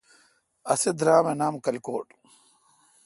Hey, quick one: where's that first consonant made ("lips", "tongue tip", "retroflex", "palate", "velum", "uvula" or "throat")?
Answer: tongue tip